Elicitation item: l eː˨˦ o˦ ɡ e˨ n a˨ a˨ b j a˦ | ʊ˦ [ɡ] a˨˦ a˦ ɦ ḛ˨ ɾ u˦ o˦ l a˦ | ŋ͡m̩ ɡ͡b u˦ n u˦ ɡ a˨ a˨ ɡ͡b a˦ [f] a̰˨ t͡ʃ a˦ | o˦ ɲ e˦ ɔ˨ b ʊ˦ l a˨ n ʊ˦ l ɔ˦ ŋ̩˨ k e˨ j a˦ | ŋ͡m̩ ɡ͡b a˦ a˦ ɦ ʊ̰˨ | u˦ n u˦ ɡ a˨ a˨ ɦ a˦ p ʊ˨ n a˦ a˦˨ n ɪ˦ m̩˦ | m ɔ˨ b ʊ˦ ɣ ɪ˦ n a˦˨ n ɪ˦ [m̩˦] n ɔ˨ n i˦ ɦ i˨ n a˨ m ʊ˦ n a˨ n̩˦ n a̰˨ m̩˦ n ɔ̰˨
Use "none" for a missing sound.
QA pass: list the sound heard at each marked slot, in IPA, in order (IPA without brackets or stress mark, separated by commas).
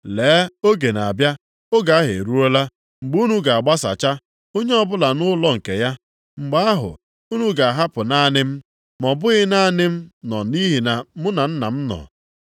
ɡ, s, m̩˦